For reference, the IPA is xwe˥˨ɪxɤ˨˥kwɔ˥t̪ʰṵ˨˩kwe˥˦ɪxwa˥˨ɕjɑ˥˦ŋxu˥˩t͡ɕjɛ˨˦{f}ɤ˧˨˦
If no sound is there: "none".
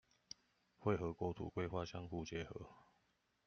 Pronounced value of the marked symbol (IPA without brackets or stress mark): x